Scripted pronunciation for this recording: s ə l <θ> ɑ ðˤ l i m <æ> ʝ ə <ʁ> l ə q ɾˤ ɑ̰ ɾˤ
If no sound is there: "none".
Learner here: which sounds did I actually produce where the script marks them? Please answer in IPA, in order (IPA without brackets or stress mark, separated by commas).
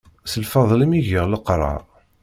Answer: f, i, ʁ